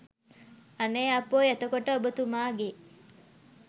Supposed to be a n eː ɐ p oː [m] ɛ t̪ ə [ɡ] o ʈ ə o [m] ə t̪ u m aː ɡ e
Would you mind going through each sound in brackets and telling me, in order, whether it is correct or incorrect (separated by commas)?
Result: incorrect, incorrect, incorrect